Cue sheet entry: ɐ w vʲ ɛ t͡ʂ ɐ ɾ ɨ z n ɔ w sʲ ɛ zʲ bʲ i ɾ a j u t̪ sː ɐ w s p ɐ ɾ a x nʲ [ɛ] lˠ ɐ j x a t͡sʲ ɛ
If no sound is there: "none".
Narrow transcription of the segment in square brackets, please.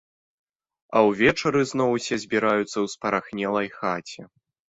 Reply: ɛ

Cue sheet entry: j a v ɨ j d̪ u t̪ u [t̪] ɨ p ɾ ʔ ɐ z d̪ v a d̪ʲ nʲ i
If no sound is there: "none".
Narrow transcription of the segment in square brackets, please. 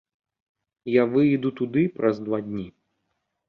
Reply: d̪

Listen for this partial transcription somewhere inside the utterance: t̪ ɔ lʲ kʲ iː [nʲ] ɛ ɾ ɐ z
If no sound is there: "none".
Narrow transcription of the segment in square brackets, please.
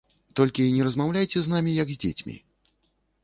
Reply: nʲ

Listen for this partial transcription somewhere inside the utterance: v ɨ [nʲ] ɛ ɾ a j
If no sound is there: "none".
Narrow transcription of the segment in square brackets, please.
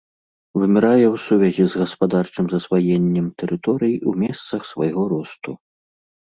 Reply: mʲ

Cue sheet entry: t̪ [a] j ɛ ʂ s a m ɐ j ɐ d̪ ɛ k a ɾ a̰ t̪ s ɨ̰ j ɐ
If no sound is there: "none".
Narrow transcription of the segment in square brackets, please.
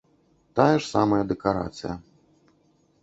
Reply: a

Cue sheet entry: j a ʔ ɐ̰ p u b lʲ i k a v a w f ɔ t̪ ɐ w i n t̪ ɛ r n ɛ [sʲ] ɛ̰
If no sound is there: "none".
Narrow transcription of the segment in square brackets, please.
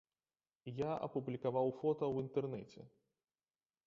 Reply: t͡sʲ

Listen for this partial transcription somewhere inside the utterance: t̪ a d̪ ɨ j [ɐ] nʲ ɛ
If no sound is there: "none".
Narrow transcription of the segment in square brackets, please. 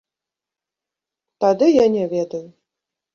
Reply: a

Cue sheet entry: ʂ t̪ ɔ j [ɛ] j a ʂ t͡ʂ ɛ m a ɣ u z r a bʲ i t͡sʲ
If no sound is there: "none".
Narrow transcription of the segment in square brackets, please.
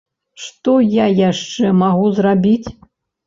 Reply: a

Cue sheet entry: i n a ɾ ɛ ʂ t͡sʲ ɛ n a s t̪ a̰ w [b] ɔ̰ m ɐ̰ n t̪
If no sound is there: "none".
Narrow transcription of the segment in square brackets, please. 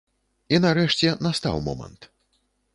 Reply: m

